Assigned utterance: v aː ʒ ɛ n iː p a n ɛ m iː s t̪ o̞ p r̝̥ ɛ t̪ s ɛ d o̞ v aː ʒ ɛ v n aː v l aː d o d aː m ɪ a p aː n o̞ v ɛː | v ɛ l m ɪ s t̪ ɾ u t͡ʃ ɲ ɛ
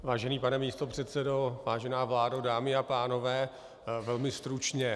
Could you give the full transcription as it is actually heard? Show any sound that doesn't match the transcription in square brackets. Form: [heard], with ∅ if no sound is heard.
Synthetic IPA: v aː ʒ ɛ n iː p a n ɛ m iː s t̪ o̞ p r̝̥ ɛ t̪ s ɛ d o̞ v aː ʒ ɛ [∅] n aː v l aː d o d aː m ɪ a p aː n o̞ v ɛː | v ɛ l m ɪ s t̪ ɾ u t͡ʃ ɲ ɛ